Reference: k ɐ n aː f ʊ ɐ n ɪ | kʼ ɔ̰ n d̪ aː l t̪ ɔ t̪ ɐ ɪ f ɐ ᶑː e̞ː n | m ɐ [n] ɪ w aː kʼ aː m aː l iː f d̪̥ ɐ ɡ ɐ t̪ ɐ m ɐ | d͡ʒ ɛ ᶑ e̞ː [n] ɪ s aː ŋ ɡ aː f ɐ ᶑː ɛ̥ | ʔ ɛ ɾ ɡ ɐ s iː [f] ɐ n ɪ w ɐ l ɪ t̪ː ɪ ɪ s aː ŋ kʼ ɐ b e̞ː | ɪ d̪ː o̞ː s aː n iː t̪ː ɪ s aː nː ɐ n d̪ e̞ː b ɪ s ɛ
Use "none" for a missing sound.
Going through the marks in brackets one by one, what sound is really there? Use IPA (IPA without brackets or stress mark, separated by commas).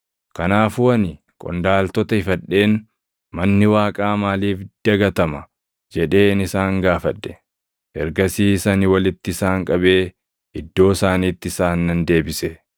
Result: nː, n, s